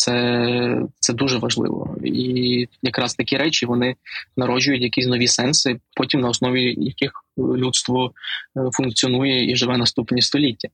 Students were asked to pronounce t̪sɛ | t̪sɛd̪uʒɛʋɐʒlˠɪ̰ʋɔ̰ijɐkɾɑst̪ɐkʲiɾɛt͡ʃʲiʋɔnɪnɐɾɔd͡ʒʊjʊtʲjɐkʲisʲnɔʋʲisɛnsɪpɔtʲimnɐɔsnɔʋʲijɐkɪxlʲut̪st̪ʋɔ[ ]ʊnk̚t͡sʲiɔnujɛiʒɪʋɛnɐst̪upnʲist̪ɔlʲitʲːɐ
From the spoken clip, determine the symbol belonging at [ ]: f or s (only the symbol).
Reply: f